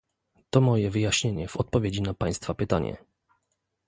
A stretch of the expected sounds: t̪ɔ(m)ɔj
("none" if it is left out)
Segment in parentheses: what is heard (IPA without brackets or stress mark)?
m